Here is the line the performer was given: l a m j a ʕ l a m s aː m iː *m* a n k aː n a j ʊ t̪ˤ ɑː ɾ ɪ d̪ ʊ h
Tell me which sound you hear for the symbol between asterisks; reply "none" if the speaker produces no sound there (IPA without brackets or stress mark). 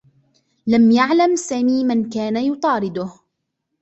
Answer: m